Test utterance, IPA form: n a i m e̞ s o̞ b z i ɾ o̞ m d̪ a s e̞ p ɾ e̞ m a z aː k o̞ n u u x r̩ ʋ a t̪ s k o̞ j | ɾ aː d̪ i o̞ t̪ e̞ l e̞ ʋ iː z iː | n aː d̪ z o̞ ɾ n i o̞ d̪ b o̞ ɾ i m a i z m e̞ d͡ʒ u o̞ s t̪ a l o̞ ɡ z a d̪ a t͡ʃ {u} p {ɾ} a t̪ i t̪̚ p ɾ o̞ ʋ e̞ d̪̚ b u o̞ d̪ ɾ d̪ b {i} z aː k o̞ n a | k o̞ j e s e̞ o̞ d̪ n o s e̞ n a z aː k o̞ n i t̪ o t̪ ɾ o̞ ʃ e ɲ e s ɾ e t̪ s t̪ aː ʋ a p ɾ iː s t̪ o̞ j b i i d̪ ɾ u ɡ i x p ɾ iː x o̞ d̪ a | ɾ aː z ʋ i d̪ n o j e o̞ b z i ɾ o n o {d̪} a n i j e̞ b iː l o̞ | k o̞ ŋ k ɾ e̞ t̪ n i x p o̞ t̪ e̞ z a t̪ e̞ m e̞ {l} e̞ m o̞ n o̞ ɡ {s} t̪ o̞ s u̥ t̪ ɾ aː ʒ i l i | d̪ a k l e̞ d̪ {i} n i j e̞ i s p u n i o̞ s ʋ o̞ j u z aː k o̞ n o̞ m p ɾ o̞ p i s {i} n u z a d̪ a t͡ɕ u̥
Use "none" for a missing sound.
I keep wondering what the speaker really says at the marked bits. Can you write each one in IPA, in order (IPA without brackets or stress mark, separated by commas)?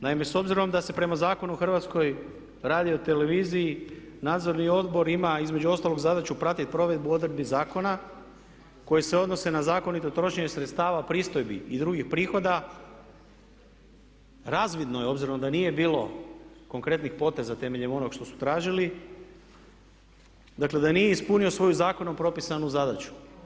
u, ɾ, i, d̪, ʎ, ʃ, a, a